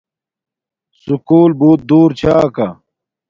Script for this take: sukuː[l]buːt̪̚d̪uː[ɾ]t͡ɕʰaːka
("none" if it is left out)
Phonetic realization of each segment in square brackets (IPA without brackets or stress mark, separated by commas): l, ɾ